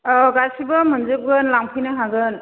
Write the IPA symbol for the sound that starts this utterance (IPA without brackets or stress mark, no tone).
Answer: ɡ